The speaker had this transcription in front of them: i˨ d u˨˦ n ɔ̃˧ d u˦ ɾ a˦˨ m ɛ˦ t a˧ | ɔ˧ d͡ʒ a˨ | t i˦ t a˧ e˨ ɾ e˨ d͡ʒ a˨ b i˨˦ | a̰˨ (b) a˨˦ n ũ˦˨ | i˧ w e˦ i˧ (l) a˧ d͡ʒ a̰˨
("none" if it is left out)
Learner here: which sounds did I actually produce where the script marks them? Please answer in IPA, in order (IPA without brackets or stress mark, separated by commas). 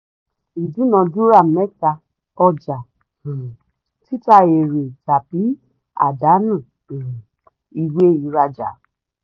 d, ɾ